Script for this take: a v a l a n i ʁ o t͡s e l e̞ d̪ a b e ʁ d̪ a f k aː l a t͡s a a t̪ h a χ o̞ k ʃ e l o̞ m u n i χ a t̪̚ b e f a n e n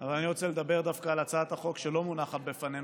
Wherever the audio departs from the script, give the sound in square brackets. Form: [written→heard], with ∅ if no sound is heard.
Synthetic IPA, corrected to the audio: a v a l a n i ʁ o t͡s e l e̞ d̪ a b e ʁ d̪ a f k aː l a t͡s a a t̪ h a χ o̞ k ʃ e l o̞ m u n [i→a] χ a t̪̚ b e f a n e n